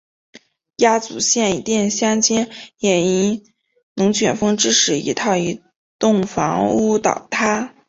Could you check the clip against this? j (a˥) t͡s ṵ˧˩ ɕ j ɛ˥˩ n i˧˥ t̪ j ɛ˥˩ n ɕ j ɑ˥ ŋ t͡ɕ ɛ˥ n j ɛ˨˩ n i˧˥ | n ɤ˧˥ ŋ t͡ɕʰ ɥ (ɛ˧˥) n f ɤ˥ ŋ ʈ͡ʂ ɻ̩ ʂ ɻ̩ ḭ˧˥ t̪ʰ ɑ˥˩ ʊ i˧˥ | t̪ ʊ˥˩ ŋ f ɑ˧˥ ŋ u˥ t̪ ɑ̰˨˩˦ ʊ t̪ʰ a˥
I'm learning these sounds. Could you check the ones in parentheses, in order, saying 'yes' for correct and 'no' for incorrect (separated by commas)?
yes, no